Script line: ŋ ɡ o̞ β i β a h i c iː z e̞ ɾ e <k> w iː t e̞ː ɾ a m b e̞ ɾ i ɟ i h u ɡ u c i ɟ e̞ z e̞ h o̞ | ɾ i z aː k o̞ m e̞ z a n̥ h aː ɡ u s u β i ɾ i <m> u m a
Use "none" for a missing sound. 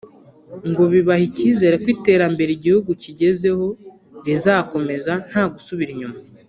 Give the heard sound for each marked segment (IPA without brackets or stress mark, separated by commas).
k, ɲ